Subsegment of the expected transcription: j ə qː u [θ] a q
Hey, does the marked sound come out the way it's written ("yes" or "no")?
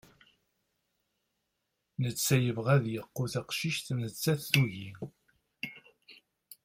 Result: yes